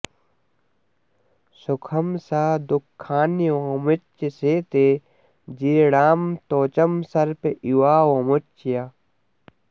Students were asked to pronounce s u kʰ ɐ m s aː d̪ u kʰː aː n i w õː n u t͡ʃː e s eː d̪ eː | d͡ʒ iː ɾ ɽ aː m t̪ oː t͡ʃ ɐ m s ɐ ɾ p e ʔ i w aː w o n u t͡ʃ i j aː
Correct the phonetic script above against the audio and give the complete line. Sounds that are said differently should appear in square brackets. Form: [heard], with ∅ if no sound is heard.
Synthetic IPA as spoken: s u kʰ ɐ m s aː d̪ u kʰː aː n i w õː [m] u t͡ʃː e s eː [t̪] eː | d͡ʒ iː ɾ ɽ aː m t̪ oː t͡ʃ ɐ m s ɐ ɾ p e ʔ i w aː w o [m] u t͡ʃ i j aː